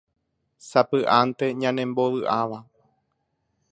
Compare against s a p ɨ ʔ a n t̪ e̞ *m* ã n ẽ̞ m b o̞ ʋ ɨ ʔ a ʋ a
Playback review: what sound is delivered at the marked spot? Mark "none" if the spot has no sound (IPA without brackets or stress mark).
ɲ